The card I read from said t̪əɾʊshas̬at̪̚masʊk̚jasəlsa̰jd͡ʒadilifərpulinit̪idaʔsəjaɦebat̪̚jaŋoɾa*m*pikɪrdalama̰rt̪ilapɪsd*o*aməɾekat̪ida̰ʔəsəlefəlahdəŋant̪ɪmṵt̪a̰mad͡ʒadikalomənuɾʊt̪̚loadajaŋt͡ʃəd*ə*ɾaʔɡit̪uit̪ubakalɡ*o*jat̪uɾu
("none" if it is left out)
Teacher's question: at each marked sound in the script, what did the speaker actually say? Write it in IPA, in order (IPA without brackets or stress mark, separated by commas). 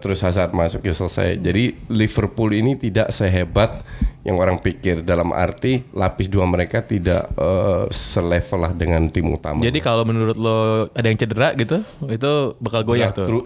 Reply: ŋ, u, ə, o